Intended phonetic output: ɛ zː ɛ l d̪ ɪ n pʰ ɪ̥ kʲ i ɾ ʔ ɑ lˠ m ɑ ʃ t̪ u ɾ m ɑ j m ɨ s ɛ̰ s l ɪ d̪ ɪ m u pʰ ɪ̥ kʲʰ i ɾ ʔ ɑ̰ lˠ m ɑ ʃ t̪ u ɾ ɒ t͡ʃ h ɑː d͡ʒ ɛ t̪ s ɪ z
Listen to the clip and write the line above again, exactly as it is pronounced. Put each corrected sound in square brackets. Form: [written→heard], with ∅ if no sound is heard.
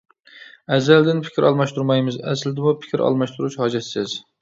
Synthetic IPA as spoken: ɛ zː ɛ l d̪ ɪ n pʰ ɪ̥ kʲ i ɾ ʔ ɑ lˠ m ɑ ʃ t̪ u ɾ m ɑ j m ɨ [s→z] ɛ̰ s l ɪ d̪ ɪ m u pʰ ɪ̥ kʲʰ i ɾ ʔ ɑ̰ lˠ m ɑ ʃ t̪ u ɾ [ɒ→u] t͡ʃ h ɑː d͡ʒ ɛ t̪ s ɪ z